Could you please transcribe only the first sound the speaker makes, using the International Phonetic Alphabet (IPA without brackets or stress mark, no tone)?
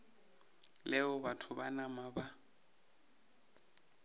l